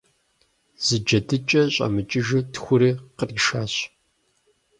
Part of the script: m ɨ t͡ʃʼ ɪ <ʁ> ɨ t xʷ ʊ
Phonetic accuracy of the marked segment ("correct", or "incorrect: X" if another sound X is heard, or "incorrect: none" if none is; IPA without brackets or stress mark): incorrect: ʒ